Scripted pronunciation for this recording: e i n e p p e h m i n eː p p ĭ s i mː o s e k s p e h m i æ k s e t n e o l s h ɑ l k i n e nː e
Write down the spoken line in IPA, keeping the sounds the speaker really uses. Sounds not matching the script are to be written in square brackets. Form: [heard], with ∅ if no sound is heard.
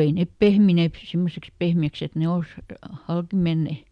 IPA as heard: e i n e p p e h m i n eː p p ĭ s i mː o s e k s p e h m i æ k s e t n e o l s h ɑ l k i [m] e nː e